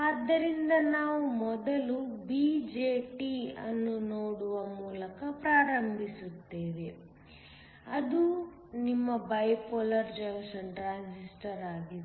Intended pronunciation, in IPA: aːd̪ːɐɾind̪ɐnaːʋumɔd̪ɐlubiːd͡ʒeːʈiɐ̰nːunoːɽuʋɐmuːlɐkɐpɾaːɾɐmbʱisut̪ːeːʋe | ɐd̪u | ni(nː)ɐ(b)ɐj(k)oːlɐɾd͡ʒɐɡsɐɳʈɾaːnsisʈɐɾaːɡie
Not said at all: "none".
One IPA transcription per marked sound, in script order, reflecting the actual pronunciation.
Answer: mː, b, p

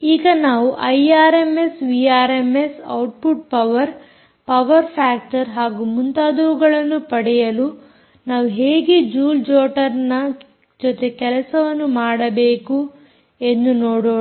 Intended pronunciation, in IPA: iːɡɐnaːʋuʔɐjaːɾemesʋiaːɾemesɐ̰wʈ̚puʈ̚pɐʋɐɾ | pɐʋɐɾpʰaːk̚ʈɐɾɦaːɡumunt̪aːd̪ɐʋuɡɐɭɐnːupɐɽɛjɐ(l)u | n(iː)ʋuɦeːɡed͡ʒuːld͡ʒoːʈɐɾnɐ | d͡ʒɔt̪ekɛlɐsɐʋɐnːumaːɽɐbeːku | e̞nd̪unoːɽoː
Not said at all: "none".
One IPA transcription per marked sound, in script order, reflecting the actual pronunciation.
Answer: l, aː

